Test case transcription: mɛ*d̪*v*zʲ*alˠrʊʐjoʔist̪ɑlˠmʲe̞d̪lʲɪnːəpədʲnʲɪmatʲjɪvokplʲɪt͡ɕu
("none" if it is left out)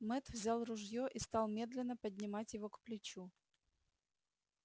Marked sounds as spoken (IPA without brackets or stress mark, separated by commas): t̪, zʲ